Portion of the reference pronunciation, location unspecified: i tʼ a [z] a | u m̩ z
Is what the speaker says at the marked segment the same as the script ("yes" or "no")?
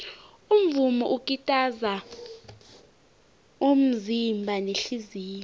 yes